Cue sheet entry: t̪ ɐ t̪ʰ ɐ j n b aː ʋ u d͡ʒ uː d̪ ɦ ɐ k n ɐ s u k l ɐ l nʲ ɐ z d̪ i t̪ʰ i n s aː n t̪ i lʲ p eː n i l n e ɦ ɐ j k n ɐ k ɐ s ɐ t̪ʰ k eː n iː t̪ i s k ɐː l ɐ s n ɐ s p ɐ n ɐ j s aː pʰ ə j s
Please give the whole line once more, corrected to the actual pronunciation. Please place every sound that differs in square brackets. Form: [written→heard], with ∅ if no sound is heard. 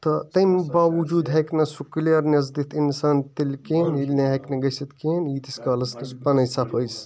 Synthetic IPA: t̪ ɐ [t̪ʰ→t̪] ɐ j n b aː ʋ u d͡ʒ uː d̪ ɦ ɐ k n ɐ s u k l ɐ [l→ɾ] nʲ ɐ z d̪ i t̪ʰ i n s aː n t̪ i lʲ [p→k] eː n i l n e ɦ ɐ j k n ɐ [k→ɡ] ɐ s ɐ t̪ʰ k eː n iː t̪ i s k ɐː l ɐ s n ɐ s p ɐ n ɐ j s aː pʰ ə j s